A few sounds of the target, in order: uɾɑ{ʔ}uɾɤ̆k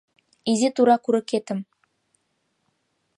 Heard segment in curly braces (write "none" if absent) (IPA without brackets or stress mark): k